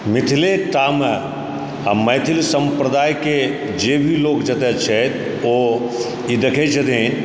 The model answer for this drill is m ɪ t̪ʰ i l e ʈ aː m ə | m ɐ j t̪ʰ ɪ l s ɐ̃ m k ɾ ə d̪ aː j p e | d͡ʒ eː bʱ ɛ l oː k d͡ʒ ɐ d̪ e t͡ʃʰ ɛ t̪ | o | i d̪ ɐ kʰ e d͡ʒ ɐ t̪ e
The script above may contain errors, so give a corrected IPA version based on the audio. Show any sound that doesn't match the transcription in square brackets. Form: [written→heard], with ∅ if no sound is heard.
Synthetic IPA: m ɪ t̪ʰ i l e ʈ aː m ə | m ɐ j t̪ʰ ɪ l s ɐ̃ m [k→p] ɾ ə d̪ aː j [p→k] e | d͡ʒ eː bʱ [ɛ→i] l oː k d͡ʒ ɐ [d̪→t̪] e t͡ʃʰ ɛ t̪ | o | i d̪ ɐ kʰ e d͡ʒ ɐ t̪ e